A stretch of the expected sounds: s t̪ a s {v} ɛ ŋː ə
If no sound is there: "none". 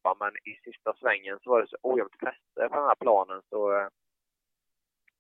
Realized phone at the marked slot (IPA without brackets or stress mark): v